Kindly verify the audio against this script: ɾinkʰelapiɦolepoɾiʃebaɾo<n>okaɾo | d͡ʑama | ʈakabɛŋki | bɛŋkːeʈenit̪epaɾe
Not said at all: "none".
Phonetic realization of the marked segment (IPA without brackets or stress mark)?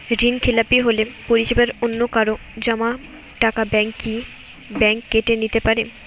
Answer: nː